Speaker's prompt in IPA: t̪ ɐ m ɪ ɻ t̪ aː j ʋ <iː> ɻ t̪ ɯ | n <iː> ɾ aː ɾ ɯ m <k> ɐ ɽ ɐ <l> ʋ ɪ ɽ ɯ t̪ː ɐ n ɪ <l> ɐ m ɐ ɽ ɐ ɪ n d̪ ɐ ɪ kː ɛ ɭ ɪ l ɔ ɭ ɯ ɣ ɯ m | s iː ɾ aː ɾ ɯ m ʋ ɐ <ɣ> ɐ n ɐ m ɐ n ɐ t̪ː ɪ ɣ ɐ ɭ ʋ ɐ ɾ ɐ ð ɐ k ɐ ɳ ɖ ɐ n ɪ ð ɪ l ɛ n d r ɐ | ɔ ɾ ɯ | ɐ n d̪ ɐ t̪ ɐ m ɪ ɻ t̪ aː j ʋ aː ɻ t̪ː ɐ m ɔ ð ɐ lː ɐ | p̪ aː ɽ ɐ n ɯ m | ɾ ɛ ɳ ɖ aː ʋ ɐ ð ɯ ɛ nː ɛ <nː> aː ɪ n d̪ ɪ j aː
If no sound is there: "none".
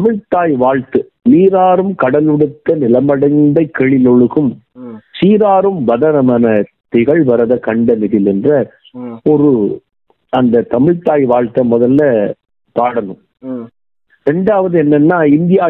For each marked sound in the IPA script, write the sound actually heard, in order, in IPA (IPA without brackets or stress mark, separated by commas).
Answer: aː, iː, k, l, l, ð, nː